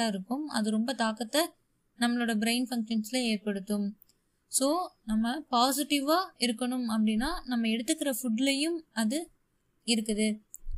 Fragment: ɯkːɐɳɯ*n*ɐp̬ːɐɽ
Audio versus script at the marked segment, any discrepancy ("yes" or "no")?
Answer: yes